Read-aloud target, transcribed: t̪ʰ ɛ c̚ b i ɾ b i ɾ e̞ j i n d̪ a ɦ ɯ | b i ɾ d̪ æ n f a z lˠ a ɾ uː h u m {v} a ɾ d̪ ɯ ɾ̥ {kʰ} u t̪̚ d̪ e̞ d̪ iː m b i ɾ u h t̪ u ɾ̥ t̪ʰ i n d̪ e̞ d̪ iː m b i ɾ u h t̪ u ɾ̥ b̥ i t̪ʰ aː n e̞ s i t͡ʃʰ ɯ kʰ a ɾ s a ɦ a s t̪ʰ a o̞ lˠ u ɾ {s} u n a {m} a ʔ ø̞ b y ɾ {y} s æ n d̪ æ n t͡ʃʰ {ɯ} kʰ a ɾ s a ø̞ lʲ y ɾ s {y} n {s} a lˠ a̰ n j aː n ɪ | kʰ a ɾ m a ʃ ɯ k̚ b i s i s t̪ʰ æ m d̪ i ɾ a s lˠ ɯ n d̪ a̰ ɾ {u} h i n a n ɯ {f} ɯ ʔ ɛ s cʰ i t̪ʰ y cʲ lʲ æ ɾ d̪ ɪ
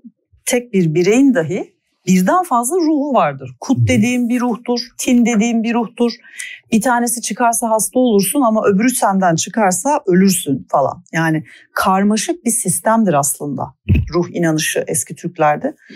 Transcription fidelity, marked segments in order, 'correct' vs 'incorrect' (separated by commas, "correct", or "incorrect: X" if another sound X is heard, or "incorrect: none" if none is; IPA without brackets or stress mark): correct, correct, correct, correct, correct, correct, correct, incorrect: f, correct, incorrect: ʃ